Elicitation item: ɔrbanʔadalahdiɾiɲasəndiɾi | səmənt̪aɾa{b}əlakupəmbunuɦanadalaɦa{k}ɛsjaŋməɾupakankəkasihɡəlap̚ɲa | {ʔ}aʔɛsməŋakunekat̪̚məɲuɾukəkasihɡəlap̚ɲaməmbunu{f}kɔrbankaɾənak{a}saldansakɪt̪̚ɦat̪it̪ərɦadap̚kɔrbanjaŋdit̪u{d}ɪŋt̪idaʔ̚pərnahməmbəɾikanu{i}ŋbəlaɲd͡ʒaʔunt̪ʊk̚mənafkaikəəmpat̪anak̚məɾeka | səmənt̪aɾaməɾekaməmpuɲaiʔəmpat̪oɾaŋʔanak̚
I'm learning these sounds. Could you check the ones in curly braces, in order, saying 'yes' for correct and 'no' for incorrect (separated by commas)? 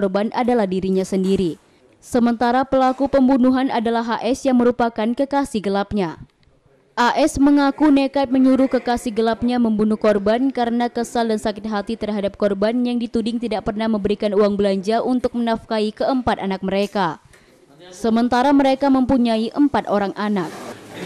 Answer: no, no, yes, no, no, yes, no